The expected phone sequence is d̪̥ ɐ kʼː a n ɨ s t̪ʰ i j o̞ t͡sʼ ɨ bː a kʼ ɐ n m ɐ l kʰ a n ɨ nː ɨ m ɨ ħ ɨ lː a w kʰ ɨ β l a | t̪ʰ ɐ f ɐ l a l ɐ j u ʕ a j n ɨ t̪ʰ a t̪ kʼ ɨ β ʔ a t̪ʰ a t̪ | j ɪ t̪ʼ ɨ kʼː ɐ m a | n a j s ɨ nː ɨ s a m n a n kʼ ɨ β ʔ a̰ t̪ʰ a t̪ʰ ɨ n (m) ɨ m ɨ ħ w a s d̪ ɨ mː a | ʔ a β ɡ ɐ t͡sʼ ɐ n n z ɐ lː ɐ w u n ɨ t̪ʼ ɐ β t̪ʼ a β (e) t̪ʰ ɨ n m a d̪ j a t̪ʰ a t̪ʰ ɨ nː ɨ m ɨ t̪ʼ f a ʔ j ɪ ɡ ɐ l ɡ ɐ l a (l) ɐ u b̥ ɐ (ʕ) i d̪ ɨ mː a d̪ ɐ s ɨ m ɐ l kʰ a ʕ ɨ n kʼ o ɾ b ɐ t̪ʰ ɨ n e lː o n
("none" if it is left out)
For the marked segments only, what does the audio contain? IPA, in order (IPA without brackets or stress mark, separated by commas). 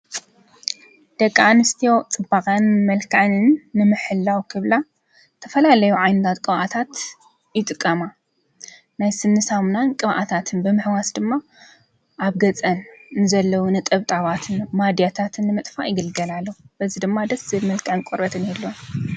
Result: b, a, lː, z